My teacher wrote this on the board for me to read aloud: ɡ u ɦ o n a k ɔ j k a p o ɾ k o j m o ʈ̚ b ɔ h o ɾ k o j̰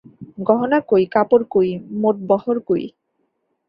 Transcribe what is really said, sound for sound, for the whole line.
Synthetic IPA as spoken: ɡ ɔ ɦ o n a k o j k a p o ɾ k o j m o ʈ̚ b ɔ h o ɾ k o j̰